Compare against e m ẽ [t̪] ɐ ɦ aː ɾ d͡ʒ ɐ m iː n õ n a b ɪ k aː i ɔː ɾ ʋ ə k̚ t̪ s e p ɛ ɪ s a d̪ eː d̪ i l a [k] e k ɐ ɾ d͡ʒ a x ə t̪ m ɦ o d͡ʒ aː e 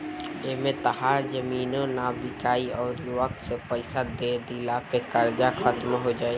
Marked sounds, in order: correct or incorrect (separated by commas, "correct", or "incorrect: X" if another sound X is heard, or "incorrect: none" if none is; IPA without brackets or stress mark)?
correct, incorrect: p